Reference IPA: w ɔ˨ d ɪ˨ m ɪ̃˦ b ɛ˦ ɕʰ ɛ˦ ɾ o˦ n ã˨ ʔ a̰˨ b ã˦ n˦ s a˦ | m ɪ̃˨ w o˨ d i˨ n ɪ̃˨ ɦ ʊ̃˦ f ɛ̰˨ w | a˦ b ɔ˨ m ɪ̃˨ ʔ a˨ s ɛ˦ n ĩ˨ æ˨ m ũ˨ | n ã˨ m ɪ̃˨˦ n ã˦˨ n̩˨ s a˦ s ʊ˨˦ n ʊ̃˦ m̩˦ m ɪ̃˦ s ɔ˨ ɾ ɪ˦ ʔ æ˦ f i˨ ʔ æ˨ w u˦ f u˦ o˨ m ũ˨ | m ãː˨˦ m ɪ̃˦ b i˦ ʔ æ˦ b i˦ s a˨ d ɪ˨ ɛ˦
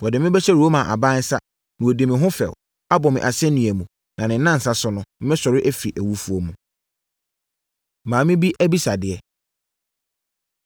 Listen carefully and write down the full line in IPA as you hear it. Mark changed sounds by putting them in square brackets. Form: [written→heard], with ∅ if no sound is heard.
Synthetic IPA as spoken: w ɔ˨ d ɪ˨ m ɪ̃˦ b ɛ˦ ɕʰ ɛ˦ ɾ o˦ [n→m] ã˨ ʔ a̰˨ b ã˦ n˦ s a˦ | [m→n] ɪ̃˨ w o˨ d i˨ [n→m] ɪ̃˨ ɦ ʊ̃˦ f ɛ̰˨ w | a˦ b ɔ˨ m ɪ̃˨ ʔ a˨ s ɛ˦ n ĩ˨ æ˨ m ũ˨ | n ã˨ [m→n] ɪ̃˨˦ n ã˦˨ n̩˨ s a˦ s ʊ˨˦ n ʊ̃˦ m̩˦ m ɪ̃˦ s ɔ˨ ɾ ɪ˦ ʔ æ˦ f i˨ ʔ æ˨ w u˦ f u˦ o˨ m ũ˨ | m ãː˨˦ m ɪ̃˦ b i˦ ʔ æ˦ b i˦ s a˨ d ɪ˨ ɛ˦

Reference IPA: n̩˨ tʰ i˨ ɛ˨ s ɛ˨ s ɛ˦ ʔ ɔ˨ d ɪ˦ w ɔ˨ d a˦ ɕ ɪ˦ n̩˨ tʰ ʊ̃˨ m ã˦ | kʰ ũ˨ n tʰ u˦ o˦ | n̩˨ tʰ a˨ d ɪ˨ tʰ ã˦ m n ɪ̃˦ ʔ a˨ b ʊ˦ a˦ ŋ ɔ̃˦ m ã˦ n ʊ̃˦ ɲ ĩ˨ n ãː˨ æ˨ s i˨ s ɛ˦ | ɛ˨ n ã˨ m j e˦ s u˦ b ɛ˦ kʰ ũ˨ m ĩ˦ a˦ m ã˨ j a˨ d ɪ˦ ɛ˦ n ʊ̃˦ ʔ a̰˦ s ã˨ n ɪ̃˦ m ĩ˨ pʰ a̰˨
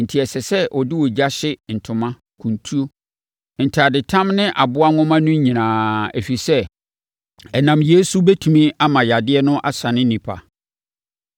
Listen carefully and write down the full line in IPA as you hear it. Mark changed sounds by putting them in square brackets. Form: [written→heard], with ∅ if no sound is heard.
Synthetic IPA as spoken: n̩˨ tʰ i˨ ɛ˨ s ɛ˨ s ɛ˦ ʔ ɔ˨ d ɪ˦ w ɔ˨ [d→d͡ʑ] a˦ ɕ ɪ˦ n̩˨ tʰ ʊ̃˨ m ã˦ | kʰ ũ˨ n tʰ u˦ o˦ | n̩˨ tʰ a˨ d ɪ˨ tʰ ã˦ m n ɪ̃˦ ʔ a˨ b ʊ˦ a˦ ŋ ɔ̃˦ m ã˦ n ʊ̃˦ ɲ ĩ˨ n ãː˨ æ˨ [s→f] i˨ s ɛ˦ | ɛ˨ n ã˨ m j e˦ s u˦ b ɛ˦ [kʰ→tʰ] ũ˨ m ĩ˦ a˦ m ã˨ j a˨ d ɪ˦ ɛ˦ n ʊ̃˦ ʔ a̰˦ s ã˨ n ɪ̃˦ [m→n] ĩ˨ pʰ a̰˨

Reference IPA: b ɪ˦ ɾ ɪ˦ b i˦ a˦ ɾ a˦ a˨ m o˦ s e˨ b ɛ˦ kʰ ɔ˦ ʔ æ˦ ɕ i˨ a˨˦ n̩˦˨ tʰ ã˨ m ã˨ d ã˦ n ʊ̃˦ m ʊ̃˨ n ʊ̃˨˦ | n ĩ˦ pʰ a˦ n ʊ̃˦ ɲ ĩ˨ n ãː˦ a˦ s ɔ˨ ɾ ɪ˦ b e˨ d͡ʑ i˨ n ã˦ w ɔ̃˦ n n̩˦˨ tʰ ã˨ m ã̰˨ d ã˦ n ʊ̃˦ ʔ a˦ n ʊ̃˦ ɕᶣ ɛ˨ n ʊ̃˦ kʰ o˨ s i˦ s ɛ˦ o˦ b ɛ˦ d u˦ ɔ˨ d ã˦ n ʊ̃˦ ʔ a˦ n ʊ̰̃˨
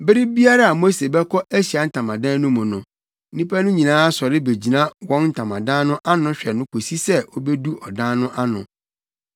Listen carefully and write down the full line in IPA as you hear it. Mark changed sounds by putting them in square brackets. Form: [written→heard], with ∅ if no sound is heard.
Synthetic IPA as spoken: b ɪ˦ ɾ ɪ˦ b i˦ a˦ ɾ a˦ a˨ m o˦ s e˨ b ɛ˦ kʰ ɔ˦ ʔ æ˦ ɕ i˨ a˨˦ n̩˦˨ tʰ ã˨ m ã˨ d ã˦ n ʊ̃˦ m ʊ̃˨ n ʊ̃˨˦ | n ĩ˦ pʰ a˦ n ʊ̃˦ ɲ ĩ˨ n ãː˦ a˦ s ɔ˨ ɾ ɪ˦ b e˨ d͡ʑ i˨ n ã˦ w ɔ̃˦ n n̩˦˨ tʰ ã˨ m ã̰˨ d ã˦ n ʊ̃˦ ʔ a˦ n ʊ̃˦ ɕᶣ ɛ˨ n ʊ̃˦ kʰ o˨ s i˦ s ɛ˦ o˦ b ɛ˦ d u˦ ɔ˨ d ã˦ n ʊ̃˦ ʔ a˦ n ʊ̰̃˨

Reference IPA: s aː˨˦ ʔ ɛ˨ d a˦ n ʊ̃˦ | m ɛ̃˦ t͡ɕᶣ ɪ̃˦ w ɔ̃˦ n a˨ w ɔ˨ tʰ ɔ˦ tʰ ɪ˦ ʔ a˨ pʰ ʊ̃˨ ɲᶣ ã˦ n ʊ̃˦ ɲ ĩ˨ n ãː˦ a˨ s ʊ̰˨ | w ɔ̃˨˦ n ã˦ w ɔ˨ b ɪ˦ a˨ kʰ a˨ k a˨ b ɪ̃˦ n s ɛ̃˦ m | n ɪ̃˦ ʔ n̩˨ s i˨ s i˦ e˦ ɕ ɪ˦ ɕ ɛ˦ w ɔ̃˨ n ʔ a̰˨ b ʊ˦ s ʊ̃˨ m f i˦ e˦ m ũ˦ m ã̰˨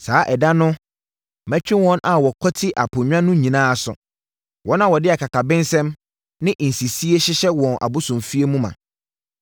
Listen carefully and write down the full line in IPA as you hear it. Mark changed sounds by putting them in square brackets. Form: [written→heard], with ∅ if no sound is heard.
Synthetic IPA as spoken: s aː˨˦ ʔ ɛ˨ d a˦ n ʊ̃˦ | m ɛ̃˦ t͡ɕᶣ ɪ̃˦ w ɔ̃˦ n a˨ w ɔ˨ [tʰ→kʰ] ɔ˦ tʰ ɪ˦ ʔ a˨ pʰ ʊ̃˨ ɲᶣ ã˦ n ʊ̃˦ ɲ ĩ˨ n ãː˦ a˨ s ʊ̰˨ | w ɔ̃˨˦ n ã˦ w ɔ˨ [b→d] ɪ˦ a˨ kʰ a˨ k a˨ b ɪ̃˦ n s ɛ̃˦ m | n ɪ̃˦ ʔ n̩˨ s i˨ s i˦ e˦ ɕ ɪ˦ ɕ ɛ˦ w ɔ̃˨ n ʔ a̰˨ b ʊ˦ s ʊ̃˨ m f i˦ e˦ m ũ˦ m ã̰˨

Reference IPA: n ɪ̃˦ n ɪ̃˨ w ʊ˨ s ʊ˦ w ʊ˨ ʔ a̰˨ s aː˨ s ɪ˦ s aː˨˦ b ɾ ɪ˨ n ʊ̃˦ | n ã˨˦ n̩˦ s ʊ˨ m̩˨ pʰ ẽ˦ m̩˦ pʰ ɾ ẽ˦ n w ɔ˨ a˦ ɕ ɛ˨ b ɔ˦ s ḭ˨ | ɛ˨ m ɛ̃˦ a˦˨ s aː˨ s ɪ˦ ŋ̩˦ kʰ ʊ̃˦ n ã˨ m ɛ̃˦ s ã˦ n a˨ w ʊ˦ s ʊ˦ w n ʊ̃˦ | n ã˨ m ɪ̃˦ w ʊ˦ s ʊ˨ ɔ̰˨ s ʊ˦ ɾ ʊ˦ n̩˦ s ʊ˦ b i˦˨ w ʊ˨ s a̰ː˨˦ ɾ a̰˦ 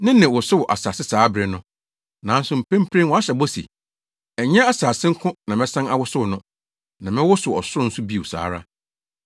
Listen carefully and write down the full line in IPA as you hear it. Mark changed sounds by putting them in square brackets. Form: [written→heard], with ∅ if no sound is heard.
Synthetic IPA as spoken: n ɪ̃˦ n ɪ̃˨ w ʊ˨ s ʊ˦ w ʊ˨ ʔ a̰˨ s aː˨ s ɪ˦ s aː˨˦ b ɾ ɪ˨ n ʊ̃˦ | n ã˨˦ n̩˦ s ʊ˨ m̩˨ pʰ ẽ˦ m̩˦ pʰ ɾ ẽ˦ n w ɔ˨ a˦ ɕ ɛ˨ b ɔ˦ s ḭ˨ | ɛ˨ [m→ɲ] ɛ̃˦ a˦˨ s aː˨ s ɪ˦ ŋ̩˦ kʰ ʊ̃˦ n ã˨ m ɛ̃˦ s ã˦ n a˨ w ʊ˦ s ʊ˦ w n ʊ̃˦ | n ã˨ m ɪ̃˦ w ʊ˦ s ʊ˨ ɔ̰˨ s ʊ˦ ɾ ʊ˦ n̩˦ s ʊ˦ b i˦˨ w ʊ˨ s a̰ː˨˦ ɾ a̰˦

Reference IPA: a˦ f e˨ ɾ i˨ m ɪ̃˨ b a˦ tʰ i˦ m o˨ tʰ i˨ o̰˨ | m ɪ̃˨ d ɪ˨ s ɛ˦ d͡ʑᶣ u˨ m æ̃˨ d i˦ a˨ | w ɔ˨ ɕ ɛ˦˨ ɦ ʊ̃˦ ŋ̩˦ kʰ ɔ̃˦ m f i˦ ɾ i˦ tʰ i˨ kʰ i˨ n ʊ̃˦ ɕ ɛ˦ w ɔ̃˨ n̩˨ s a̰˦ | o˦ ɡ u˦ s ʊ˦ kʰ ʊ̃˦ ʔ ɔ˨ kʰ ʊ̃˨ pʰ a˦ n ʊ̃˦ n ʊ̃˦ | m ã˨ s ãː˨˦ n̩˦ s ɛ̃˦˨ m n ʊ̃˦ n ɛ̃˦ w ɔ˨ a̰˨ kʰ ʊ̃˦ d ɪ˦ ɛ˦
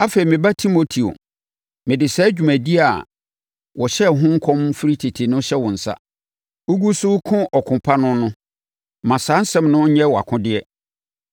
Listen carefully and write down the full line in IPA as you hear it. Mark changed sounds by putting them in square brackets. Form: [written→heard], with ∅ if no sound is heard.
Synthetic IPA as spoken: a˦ f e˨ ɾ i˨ m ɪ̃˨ b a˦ tʰ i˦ m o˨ tʰ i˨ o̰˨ | m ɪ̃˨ d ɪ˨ s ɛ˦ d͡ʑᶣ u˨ m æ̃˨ d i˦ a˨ | w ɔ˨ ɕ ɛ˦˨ ɦ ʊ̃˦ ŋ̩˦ kʰ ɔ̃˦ m f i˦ ɾ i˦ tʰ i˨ [kʰ→tʰ] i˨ n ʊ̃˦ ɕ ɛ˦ w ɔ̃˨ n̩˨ s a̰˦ | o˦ ɡ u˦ s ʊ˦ kʰ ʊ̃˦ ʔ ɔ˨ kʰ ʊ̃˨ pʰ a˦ n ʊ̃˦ n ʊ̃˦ | m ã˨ s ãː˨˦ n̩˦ s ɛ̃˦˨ m n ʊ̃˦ [n→ɲ] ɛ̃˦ w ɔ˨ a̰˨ kʰ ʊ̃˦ d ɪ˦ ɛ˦

